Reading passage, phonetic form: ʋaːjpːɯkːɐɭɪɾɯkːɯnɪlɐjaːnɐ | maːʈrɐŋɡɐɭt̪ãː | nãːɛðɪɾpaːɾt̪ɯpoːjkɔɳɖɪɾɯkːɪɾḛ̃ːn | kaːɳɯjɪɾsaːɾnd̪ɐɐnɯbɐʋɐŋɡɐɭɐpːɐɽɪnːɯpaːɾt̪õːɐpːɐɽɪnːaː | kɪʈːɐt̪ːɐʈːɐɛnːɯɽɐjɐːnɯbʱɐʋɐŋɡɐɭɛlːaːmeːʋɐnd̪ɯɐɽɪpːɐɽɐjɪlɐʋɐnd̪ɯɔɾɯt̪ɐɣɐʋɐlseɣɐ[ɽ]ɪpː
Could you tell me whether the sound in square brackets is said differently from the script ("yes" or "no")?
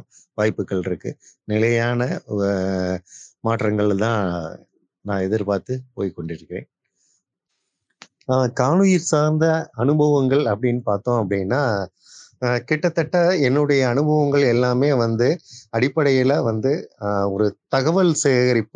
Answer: yes